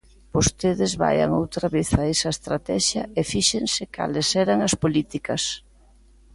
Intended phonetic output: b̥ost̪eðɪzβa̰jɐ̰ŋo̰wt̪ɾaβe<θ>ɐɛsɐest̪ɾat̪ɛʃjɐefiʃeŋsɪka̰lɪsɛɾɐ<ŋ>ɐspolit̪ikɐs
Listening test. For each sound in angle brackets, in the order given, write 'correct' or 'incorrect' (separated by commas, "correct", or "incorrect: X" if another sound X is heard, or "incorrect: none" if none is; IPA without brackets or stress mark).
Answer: correct, correct